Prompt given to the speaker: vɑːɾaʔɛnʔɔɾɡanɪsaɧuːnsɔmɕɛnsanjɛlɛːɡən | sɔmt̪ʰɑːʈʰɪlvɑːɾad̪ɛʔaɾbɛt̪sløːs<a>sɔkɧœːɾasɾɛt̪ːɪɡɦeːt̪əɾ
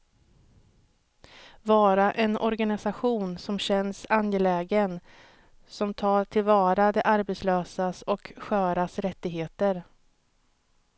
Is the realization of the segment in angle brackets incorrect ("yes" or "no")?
no